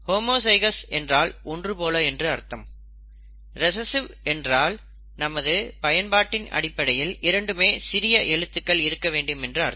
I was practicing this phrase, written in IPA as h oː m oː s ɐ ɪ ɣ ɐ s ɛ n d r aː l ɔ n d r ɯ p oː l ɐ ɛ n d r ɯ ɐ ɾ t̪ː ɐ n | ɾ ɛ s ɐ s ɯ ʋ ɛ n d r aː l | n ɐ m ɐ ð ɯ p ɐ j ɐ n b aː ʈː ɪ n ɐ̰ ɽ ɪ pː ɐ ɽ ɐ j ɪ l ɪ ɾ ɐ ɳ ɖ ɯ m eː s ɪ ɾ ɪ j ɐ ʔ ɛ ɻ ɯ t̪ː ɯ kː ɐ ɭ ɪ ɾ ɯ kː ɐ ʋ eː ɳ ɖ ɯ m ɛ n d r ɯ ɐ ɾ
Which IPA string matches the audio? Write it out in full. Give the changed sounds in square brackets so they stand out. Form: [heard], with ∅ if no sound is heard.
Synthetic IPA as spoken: h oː m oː s ɐ ɪ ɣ ɐ s ɛ n d r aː l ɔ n d r ɯ p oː l ɐ ɛ n d r ɯ ɐ ɾ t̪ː ɐ [m] | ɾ ɛ s ɐ s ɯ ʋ ɛ n d r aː l | n ɐ m ɐ ð ɯ p ɐ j ɐ n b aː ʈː ɪ n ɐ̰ ɽ ɪ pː ɐ ɽ ɐ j ɪ l ɪ ɾ ɐ ɳ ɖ ɯ m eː s ɪ ɾ ɪ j ɐ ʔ ɛ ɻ ɯ t̪ː ɯ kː ɐ ɭ ɪ ɾ ɯ kː ɐ ʋ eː ɳ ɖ ɯ m ɛ n d r ɯ ɐ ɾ

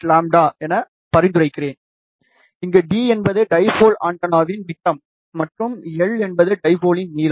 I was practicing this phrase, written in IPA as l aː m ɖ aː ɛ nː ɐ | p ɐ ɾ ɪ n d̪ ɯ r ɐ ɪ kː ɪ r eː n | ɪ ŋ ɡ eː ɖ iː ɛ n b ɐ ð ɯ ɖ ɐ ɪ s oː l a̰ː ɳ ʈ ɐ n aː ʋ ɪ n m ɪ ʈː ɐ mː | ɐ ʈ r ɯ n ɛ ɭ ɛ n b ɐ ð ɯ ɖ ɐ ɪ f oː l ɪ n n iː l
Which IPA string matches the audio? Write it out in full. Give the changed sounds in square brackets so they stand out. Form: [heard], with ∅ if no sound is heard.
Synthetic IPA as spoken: l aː m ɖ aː ɛ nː ɐ | p ɐ ɾ ɪ n d̪ ɯ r ɐ ɪ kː ɪ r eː n | ɪ ŋ ɡ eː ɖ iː ɛ n b ɐ ð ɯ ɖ ɐ ɪ [f] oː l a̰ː ɳ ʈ ɐ n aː ʋ ɪ n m ɪ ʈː ɐ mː | ɐ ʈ r ɯ [m] ɛ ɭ ɛ n b ɐ ð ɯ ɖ ɐ ɪ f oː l ɪ n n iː l

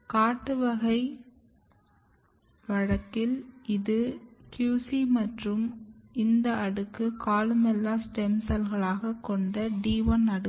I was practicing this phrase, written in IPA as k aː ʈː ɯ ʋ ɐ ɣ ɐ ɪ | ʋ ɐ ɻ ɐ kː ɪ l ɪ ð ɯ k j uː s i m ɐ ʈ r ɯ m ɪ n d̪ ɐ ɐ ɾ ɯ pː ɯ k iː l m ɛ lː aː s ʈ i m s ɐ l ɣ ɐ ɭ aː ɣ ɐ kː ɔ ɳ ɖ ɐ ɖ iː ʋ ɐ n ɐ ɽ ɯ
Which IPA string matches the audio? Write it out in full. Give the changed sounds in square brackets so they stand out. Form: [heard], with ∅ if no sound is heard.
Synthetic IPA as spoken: k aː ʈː ɯ ʋ ɐ ɣ ɐ ɪ | ʋ ɐ ɻ ɐ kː ɪ l ɪ ð ɯ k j uː s i m ɐ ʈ r ɯ m ɪ n d̪ ɐ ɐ [ɽ] ɯ [kː] ɯ k [aː] l m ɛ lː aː s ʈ [ɛ] m s ɐ l ɣ ɐ ɭ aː ɣ ɐ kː ɔ ɳ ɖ ɐ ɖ iː ʋ ɐ n ɐ ɽ ɯ

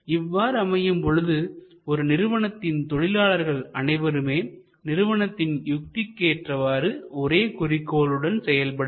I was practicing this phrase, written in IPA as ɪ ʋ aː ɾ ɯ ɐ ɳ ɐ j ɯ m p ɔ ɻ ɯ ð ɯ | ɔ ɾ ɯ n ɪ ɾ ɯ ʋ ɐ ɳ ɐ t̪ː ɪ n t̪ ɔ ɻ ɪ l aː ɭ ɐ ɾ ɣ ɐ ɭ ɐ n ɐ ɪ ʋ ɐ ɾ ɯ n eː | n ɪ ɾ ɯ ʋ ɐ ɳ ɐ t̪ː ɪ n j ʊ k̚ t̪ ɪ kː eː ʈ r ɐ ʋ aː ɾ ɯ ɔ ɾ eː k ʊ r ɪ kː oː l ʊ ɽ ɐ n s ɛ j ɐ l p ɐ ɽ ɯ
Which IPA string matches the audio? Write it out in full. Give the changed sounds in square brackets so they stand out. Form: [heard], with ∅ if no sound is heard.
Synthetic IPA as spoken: ɪ [ʋː] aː ɾ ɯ ɐ [m] ɐ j ɯ m p ɔ ɻ ɯ ð ɯ | ɔ ɾ ɯ n ɪ ɾ ɯ ʋ ɐ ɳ ɐ t̪ː ɪ n t̪ ɔ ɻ ɪ l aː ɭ ɐ ɾ ɣ ɐ ɭ ɐ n ɐ ɪ ʋ ɐ ɾ ɯ [m] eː | n ɪ ɾ ɯ ʋ ɐ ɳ ɐ t̪ː ɪ n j ʊ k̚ t̪ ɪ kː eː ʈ r ɐ ʋ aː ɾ ɯ ɔ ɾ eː k ʊ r ɪ kː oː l [ɯ] ɽ ɐ n s ɛ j ɐ l p ɐ ɽ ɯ

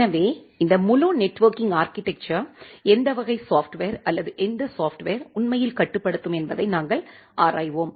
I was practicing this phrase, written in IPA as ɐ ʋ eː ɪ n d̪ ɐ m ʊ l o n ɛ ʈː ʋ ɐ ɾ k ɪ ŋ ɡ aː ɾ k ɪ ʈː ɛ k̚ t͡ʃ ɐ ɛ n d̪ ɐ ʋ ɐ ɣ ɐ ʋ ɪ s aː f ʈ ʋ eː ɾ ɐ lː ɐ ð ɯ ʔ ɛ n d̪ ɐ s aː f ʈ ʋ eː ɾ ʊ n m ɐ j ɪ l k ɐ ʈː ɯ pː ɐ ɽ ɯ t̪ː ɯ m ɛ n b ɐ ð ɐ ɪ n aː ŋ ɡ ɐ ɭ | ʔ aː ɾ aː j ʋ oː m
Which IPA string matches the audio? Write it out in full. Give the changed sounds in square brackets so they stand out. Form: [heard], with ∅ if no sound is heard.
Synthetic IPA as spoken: ɐ ʋ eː ɪ n d̪ ɐ m ʊ l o n ɛ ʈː ʋ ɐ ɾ k ɪ ŋ ɡ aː ɾ k ɪ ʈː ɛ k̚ t͡ʃ ɐ ɛ n d̪ ɐ ʋ ɐ ɣ ɐ [∅] ɪ s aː f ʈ ʋ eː ɾ ɐ lː ɐ ð ɯ ʔ ɛ n d̪ ɐ s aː f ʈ ʋ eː ɾ ʊ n m ɐ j ɪ l k ɐ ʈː ɯ pː ɐ ɽ ɯ t̪ː ɯ m ɛ n b ɐ ð ɐ ɪ n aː ŋ ɡ ɐ ɭ | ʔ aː ɾ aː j ʋ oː m

